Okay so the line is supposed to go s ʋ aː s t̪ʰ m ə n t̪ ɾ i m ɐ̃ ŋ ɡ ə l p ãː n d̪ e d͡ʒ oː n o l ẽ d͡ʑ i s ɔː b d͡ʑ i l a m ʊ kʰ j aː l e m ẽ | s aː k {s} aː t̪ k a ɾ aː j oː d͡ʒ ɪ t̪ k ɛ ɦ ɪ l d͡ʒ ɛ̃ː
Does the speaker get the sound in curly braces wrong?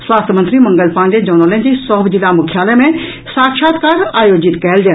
yes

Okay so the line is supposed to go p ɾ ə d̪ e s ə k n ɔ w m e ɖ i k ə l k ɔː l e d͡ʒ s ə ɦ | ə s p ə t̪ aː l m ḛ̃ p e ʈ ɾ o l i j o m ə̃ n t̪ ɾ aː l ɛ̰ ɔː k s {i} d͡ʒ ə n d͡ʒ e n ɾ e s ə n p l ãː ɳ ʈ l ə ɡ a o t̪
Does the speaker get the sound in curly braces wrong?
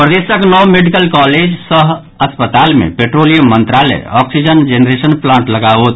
no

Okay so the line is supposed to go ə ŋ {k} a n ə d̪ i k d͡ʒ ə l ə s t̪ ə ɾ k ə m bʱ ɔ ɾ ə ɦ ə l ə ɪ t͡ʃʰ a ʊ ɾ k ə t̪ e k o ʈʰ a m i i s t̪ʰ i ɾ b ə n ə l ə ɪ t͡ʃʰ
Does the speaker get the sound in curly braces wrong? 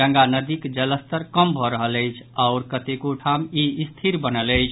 yes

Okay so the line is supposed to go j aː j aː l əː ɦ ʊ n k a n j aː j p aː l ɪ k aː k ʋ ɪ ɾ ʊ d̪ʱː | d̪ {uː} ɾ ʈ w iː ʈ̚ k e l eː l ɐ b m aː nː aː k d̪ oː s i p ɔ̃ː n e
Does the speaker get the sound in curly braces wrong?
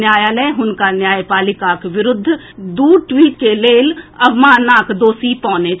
no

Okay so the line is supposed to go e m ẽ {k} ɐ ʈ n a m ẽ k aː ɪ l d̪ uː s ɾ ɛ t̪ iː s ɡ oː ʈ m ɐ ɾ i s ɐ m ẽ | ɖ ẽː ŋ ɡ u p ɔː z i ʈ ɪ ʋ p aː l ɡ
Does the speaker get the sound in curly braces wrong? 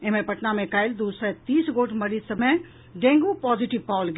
yes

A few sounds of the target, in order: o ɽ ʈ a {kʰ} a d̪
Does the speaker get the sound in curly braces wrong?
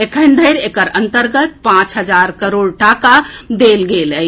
yes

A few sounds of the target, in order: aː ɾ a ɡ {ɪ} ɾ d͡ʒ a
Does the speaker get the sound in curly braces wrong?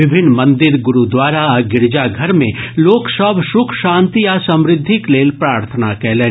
no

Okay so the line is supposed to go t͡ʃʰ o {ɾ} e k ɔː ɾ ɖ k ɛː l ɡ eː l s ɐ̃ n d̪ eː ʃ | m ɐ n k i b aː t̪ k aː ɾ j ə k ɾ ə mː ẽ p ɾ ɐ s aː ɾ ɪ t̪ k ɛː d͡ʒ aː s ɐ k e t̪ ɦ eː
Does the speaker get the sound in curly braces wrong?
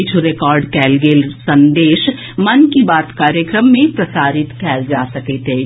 no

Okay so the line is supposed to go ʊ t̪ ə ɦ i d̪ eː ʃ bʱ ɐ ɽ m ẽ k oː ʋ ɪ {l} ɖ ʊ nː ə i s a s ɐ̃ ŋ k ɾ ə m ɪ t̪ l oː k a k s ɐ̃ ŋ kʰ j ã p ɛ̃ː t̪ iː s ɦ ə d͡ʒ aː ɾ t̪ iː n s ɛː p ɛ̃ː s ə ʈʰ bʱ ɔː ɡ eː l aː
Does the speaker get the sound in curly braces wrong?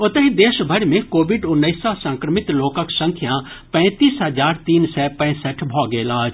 yes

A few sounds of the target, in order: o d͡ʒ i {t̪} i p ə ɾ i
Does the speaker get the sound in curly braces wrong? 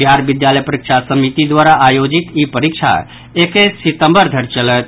no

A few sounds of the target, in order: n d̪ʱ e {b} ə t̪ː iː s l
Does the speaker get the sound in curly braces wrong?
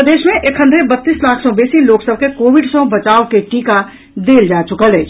no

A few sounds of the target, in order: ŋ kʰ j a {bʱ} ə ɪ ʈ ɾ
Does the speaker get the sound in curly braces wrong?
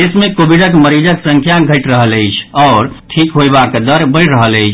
yes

